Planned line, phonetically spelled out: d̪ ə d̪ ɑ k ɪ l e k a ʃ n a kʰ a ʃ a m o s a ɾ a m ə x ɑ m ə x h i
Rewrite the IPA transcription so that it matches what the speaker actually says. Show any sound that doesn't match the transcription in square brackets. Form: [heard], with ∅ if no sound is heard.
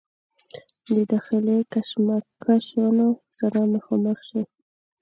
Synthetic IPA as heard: d̪ ə d̪ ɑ [x] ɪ l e k a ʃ [m] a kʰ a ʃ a [n] o s a ɾ a m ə x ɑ m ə x [ʃ] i